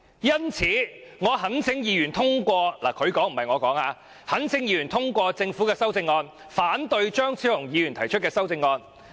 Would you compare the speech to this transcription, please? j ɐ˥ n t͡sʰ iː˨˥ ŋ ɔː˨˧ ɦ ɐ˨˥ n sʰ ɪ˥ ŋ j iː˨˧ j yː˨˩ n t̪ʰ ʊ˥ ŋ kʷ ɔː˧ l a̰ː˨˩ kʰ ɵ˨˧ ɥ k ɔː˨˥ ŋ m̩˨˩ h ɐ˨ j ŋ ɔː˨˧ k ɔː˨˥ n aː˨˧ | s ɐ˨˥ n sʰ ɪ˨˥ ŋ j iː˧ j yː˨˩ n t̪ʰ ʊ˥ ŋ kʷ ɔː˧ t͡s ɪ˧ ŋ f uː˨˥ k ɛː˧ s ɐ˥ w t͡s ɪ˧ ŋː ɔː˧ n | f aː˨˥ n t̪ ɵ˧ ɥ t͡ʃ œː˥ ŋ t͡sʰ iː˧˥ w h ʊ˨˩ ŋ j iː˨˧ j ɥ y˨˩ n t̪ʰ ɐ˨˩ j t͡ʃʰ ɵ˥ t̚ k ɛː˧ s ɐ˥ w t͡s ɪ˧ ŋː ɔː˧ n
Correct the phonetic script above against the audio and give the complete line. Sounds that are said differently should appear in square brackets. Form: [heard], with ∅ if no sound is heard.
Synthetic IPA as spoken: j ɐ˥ n t͡sʰ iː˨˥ ŋ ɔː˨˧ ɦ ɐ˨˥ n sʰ [ɪ˨˥] ŋ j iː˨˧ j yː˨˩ n t̪ʰ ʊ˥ ŋ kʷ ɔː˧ l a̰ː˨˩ kʰ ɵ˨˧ ɥ k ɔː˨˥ ŋ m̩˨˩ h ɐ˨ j ŋ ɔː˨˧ k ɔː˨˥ [ŋ] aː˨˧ | [h] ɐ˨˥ n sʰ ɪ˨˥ ŋ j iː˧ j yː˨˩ n t̪ʰ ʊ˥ ŋ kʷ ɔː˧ t͡s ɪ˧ ŋ f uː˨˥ k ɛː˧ s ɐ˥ w t͡s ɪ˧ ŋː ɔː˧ n | f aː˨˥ n t̪ ɵ˧ ɥ t͡ʃ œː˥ ŋ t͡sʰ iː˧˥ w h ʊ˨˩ ŋ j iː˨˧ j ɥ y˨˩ n t̪ʰ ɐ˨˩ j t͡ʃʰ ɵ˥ t̚ k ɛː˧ s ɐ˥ w t͡s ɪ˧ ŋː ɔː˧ n